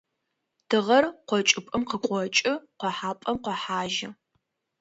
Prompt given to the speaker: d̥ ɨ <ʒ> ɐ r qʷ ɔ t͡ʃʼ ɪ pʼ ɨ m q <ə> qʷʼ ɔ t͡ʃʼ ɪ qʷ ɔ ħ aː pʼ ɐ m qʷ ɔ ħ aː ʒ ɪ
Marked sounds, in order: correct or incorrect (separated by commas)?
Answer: incorrect, correct